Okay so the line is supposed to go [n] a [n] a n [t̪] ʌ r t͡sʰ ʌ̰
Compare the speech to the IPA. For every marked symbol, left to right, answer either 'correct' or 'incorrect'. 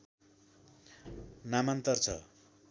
correct, incorrect: m, correct

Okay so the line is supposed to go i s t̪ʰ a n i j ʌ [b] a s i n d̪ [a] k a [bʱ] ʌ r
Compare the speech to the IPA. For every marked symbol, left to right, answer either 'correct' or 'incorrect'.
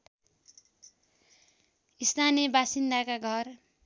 correct, correct, incorrect: ɡʱ

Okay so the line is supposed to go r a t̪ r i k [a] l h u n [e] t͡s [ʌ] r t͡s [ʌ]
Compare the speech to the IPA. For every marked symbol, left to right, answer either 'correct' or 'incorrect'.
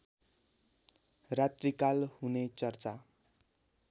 correct, correct, correct, incorrect: a

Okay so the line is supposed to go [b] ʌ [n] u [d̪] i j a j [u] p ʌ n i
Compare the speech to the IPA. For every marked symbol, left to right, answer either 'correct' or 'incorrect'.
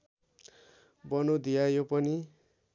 correct, correct, correct, incorrect: o

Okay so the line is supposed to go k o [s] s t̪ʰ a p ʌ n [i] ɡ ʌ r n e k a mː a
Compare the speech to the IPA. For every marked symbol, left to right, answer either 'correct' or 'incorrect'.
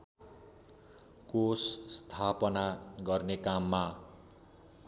correct, incorrect: a

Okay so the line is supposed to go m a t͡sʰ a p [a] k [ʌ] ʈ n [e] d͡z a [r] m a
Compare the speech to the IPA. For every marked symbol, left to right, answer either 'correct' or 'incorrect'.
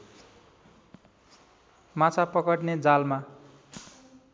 incorrect: ʌ, correct, correct, incorrect: l

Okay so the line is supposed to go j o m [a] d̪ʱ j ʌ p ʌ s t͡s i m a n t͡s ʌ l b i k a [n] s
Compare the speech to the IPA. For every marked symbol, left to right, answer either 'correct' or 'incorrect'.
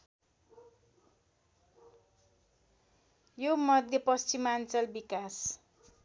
incorrect: ʌ, incorrect: none

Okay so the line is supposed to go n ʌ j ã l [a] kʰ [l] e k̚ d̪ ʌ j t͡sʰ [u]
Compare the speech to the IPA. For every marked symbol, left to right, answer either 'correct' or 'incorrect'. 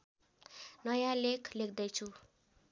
incorrect: e, correct, correct

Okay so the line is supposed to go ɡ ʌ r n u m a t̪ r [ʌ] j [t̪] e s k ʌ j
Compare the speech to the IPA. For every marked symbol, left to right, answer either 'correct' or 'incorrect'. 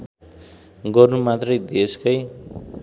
correct, incorrect: d̪

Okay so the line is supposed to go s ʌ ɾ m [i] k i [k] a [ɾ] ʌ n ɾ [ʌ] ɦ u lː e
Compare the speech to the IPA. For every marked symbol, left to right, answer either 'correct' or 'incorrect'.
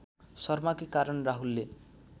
incorrect: a, correct, correct, incorrect: a

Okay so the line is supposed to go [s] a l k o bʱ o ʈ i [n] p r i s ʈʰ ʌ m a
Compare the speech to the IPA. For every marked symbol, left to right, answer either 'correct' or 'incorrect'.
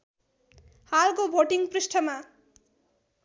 incorrect: h, incorrect: ŋ

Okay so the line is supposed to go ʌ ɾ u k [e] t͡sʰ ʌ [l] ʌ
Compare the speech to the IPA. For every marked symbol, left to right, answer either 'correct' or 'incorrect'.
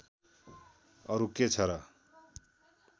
correct, incorrect: ɾ

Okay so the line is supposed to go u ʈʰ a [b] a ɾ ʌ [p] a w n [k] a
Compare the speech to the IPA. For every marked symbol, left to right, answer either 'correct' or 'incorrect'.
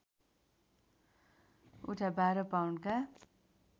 correct, correct, correct

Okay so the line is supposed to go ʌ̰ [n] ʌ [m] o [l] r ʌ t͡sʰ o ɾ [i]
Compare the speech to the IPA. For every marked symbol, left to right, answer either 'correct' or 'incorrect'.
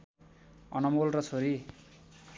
correct, correct, correct, correct

